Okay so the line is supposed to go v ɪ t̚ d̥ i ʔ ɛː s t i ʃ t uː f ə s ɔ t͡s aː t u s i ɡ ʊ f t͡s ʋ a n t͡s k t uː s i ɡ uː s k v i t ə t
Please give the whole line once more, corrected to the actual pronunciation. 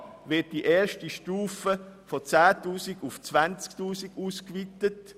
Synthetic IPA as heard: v ɪ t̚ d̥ i ʔ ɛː ʃ t i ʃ t uː f ə f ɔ t͡s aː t uː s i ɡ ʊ f t͡s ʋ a n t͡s k t uː s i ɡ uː s k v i t ə t